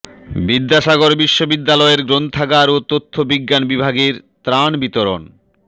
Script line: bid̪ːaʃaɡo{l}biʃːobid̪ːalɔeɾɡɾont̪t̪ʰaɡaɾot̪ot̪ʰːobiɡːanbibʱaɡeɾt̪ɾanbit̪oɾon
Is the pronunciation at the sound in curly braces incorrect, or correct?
incorrect